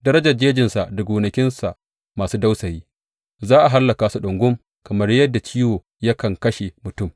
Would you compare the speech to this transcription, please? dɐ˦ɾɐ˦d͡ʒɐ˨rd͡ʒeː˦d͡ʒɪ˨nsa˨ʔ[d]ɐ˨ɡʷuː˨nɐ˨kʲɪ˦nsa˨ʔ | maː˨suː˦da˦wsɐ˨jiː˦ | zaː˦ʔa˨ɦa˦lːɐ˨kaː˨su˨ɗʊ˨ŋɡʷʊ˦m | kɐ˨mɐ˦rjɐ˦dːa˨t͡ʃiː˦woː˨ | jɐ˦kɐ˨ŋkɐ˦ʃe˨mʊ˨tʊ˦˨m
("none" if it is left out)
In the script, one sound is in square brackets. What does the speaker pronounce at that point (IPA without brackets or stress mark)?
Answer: d